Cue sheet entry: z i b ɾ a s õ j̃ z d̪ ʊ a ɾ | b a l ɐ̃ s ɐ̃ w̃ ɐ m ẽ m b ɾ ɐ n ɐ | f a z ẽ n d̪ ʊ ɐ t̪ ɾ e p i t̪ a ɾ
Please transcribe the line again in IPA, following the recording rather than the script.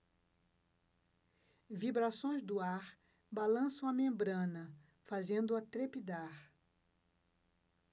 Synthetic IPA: v i b ɾ a s õ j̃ z d̪ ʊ a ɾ | b a l ɐ̃ s ɐ̃ w̃ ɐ m ẽ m b ɾ ɐ̃ n ɐ | f a z ẽ n d̪ ʊ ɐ t̪ ɾ e p i d̪ a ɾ